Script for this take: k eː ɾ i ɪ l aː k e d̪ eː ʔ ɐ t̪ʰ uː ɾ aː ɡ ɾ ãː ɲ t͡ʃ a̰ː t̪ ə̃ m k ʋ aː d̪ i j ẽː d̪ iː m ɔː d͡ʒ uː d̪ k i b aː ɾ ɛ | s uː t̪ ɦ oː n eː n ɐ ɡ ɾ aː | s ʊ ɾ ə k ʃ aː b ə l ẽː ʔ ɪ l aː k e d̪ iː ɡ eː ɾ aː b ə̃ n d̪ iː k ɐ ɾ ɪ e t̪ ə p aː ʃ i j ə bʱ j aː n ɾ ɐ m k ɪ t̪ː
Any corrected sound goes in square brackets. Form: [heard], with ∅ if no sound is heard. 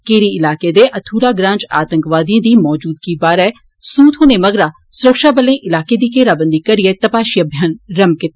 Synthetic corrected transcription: k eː ɾ i ɪ l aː k e d̪ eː ʔ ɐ t̪ʰ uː ɾ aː ɡ ɾ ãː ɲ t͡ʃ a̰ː t̪ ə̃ [ŋ] k ʋ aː d̪ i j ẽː d̪ iː m ɔː d͡ʒ uː d̪ k i b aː ɾ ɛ | s uː t̪ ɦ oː n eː [m] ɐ ɡ ɾ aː | s ʊ ɾ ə k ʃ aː b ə l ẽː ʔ ɪ l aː k e d̪ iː [k] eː ɾ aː b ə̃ n d̪ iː k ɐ ɾ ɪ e t̪ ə p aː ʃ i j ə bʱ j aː n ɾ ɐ m k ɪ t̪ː

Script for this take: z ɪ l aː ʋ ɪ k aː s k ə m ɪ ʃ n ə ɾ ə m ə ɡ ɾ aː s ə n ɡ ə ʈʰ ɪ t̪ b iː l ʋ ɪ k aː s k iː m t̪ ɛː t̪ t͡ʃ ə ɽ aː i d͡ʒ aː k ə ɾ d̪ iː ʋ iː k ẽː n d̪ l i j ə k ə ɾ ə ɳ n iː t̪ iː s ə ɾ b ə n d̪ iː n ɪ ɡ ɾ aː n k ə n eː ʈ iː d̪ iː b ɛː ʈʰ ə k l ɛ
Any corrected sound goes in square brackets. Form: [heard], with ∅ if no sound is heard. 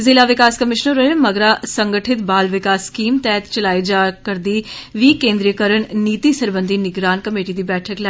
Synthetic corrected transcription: z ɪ l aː ʋ ɪ k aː s k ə m ɪ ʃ n ə ɾ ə m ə ɡ ɾ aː s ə [ŋ] ɡ ə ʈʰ ɪ t̪ b [aː] l ʋ ɪ k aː s k iː m t̪ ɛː t̪ t͡ʃ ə [l] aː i d͡ʒ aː k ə ɾ d̪ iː ʋ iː k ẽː n d̪ [ɾ] i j ə k ə ɾ ə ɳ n iː t̪ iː s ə ɾ b ə n d̪ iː n ɪ ɡ ɾ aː n k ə [m] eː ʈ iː d̪ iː b ɛː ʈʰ ə k l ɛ

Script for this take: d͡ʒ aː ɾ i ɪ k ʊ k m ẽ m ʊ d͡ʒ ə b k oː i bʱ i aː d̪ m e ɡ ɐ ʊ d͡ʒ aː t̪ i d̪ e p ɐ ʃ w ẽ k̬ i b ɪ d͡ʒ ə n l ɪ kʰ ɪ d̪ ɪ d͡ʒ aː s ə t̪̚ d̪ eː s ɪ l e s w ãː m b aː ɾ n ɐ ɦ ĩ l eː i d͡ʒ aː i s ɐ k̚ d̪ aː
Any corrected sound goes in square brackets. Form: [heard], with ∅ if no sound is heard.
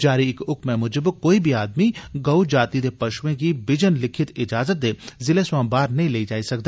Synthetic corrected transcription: d͡ʒ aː ɾ i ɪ k ʊ k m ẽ m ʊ d͡ʒ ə b k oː i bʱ i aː d̪ m [i] ɡ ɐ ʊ d͡ʒ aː t̪ i d̪ e p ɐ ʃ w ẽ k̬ i b ɪ d͡ʒ ə n l ɪ kʰ ɪ [t̪] ɪ d͡ʒ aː [z] ə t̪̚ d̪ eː [z] ɪ l e s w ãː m b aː ɾ n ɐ ɦ ĩ l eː i d͡ʒ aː i s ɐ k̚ d̪ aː

